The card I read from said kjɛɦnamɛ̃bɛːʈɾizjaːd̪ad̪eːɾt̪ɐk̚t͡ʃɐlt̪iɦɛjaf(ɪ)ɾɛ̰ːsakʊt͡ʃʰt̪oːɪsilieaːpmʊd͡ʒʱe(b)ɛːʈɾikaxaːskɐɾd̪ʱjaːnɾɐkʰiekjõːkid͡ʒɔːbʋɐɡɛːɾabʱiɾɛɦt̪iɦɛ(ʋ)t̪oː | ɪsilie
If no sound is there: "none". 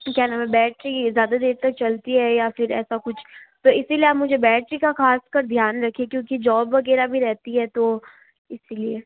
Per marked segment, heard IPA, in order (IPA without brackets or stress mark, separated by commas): ɪ, b, none